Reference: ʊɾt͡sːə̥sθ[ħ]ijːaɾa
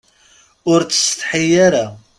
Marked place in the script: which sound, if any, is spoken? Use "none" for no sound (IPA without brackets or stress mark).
ħ